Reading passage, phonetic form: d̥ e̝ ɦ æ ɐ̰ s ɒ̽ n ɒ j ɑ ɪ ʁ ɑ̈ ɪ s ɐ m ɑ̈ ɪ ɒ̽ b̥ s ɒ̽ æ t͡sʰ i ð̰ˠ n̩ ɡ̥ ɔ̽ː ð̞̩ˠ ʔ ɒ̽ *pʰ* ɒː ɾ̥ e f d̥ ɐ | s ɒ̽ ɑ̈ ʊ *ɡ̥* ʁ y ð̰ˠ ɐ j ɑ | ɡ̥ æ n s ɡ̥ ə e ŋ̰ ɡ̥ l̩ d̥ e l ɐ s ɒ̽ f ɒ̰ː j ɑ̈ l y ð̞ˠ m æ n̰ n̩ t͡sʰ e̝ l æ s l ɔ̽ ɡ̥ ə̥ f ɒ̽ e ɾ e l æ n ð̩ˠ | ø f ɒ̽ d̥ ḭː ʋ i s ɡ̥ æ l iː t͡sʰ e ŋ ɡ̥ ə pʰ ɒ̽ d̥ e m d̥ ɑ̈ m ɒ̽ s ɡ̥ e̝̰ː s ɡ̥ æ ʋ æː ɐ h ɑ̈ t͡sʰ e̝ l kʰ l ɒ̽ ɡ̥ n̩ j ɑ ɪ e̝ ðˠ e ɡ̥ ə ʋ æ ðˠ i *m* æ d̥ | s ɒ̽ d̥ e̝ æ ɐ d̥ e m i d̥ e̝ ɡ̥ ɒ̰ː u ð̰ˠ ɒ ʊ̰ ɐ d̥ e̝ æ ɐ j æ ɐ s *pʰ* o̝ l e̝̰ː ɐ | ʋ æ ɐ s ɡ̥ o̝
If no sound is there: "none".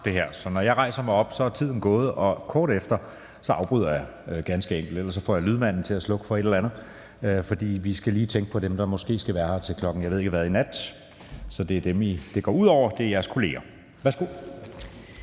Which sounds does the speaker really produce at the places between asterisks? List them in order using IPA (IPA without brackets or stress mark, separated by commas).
kʰ, b̥, n, kʰ